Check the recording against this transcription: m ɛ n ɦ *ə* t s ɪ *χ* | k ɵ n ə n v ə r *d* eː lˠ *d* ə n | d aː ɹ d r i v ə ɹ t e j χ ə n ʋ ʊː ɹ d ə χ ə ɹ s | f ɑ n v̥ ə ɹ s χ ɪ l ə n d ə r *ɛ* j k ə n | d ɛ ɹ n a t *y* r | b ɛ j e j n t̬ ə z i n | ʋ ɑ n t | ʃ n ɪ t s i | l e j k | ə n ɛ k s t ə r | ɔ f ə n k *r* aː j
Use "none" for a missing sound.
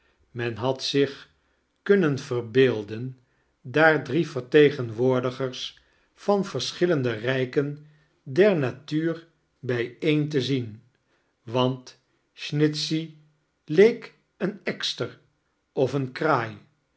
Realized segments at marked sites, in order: ɑ, χ, b, d, ɛ, yː, r

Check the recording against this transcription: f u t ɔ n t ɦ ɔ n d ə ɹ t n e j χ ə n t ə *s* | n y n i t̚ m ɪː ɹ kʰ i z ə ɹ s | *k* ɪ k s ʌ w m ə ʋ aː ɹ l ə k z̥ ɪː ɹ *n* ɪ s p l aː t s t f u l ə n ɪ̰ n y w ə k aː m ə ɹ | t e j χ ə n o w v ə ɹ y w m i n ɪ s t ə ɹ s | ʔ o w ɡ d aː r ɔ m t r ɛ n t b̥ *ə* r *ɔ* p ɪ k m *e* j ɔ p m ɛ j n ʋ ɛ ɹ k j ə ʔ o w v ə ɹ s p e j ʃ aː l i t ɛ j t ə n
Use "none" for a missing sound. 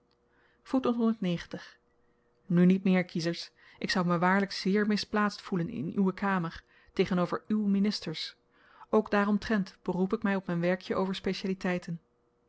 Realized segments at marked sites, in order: χ, ʔ, m, ə, u, ɛ

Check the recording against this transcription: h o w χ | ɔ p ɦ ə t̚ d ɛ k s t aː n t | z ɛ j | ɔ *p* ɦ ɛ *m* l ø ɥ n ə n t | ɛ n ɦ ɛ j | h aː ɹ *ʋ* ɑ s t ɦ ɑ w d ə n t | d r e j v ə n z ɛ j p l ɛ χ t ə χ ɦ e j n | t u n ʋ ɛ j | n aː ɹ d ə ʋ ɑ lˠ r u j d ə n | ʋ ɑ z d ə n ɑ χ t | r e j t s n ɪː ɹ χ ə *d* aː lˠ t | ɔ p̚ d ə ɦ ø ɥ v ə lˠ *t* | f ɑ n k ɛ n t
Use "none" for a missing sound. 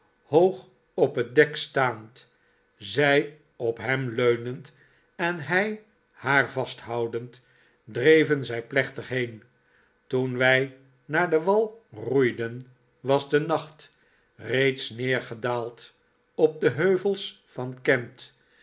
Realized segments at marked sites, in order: p, m, v, d, s

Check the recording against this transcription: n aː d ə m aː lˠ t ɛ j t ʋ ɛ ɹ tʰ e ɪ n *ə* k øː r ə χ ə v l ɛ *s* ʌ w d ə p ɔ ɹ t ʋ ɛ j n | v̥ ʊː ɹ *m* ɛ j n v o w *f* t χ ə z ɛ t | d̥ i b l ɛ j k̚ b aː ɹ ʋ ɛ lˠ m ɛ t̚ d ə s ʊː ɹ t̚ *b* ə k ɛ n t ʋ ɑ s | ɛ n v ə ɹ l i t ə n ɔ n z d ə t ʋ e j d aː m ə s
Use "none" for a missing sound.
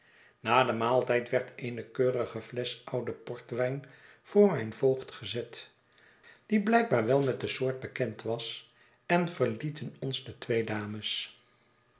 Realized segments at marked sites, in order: ə, s, m, χ, b

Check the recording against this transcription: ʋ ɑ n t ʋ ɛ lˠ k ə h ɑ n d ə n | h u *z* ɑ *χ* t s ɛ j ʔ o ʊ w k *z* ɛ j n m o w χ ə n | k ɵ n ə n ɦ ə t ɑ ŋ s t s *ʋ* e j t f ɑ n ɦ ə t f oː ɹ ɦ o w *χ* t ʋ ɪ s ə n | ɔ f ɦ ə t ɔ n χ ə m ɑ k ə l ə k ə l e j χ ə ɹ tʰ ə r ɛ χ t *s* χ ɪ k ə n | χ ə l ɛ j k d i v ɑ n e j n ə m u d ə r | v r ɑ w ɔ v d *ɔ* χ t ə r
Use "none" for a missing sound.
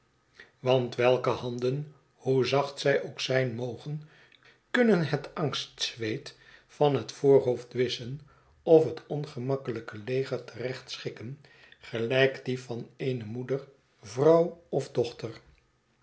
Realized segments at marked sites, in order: z, χ, s, ʋ, f, s, ɔ

